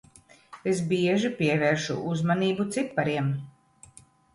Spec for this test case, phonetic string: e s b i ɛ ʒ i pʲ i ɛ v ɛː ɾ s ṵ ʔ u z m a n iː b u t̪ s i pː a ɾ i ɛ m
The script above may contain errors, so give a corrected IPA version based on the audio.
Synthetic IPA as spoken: e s b i ɛ ʒ i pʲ i ɛ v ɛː ɾ ʃ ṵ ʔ u z m a n iː b u t̪ s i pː a ɾ i ɛ m